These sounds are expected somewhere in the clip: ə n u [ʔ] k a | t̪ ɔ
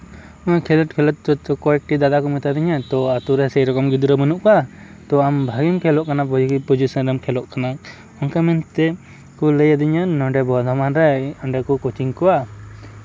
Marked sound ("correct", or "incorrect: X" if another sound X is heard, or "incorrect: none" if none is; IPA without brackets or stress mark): correct